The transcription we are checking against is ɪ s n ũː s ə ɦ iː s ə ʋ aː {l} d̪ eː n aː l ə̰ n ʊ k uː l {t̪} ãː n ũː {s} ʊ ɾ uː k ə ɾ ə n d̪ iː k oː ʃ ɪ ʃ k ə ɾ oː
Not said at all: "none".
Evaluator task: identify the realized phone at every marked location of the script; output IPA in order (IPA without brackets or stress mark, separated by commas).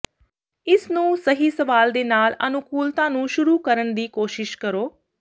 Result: l, t̪, ʃ